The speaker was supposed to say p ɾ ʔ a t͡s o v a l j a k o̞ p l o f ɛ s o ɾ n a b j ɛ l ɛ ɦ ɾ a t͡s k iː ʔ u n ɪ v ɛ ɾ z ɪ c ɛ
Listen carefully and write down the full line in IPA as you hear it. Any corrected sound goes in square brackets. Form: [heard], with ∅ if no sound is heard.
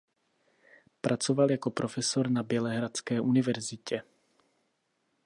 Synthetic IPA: p ɾ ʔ a t͡s o v a l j a k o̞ p [ɾ] o f ɛ s o ɾ n a b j ɛ l ɛ ɦ ɾ a t͡s k [ɛː] ʔ u n ɪ v ɛ ɾ z ɪ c ɛ